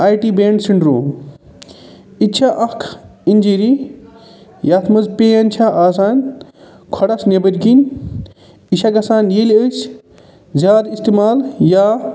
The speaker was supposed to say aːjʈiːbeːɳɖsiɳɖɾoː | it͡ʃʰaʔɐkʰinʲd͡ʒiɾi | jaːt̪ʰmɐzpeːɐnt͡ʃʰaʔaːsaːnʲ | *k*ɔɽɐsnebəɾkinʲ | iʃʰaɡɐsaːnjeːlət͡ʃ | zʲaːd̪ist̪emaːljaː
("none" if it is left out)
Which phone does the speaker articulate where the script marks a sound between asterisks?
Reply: kʰ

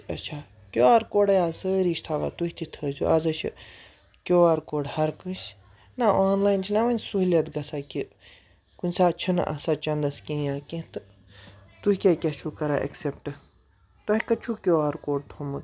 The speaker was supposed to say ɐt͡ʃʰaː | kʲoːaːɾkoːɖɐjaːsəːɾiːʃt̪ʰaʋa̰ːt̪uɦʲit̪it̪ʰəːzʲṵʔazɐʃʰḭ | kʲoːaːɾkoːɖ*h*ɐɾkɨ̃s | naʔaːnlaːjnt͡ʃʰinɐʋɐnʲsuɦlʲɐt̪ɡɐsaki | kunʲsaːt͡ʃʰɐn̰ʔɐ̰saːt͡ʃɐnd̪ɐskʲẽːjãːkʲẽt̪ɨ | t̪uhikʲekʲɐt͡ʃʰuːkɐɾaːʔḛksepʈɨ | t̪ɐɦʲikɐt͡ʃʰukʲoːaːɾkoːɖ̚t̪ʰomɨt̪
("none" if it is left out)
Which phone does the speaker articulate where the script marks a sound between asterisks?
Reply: h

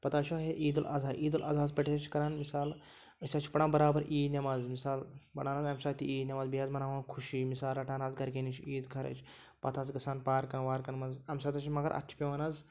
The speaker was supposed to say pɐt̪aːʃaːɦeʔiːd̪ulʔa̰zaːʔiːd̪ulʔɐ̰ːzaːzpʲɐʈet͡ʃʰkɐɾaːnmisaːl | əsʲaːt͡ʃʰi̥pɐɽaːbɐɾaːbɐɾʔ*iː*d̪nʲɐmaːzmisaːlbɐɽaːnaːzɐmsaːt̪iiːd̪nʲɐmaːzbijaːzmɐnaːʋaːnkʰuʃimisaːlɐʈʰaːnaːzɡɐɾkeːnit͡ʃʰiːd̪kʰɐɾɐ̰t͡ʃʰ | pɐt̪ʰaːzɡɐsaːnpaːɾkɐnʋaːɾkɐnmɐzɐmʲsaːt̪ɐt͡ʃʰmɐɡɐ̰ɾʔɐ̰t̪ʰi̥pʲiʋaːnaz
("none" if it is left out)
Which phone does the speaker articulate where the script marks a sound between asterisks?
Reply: iː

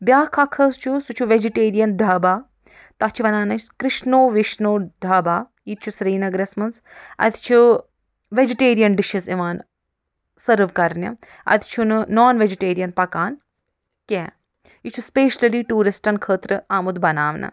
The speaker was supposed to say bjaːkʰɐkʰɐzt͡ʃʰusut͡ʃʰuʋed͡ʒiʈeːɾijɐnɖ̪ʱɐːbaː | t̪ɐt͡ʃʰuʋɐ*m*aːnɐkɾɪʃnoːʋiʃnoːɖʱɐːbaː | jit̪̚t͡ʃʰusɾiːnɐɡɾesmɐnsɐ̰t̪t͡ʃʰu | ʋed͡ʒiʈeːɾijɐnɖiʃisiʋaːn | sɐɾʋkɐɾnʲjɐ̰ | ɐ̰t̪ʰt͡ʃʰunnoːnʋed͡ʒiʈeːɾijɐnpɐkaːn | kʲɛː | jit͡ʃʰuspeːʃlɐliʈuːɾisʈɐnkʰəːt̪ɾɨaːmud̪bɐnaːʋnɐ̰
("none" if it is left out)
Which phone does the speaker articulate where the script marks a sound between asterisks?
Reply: n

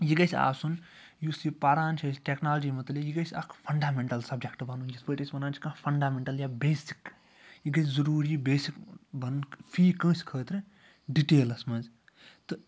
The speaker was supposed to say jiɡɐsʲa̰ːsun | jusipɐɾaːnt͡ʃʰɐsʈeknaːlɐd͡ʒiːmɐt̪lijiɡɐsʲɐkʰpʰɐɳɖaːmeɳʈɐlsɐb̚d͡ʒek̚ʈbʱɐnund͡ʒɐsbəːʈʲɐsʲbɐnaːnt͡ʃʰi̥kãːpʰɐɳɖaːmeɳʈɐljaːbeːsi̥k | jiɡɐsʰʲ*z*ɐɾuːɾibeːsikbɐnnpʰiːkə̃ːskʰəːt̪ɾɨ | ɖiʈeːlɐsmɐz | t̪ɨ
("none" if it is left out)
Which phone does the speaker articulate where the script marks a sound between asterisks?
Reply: z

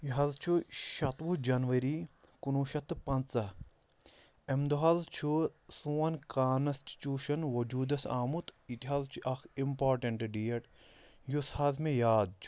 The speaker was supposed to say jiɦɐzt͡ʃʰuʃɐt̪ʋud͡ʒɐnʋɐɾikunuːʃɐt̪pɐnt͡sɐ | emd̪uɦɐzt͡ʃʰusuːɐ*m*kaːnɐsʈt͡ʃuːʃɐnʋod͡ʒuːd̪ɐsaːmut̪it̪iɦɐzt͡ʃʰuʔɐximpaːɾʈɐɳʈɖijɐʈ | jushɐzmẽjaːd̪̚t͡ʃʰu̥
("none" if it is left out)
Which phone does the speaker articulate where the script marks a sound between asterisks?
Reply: n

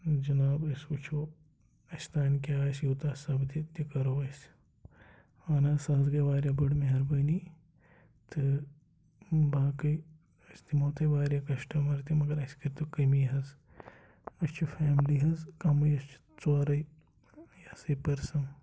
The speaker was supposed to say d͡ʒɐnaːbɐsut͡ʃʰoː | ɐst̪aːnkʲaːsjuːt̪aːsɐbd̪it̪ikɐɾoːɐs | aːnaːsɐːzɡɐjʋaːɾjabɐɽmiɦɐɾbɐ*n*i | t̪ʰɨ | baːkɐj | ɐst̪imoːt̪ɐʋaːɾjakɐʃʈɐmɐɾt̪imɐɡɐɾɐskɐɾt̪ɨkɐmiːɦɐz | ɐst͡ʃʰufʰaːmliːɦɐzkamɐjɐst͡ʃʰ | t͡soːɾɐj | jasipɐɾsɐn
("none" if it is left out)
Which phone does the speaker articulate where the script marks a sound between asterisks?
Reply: n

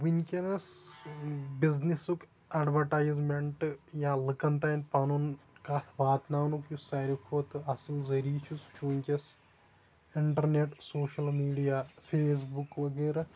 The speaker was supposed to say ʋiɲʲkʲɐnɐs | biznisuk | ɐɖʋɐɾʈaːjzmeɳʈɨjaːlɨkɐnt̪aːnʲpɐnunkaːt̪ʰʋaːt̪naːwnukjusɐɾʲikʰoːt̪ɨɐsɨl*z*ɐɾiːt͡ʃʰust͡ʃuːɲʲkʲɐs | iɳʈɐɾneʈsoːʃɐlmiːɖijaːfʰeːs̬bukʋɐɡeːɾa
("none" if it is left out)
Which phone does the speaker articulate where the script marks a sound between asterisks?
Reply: z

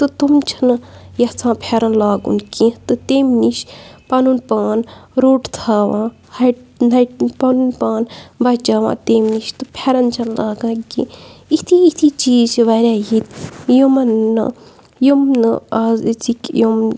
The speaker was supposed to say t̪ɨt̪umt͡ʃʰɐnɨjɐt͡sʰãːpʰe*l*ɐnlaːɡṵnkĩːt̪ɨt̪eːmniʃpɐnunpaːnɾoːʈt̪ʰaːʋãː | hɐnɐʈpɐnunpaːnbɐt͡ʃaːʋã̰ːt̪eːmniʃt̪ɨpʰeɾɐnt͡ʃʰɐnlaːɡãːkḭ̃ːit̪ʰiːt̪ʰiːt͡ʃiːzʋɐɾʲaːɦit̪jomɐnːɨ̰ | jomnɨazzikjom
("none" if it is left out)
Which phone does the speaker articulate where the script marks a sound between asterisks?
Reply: ɾ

